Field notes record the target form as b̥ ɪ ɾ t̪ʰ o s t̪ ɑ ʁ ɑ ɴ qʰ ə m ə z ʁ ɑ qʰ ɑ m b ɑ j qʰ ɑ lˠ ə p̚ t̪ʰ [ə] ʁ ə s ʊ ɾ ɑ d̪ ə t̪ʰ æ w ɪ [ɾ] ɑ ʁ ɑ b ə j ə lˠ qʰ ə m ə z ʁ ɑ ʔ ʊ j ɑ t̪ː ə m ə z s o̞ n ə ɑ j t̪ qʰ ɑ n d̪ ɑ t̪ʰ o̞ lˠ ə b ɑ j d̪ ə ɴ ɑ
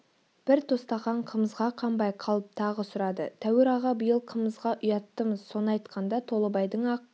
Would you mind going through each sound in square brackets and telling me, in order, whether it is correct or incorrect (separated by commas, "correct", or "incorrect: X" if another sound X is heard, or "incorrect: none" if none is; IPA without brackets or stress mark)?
incorrect: ɑ, correct